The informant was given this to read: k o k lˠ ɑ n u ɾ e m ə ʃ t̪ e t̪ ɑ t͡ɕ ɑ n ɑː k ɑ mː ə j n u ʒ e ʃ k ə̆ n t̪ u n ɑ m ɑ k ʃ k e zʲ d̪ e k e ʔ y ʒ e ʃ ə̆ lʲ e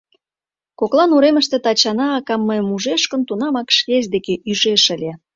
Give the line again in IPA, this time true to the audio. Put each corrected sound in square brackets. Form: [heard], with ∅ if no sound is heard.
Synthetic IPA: k o k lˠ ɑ n u ɾ e m ə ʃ t̪ e t̪ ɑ t͡ɕ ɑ n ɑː k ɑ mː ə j [m] u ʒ e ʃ k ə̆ n t̪ u n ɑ m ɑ k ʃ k e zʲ d̪ e k e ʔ y ʒ e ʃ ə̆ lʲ e